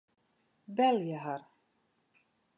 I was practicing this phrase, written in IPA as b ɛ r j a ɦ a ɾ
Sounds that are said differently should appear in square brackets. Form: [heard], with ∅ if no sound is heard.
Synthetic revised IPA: b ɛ [l] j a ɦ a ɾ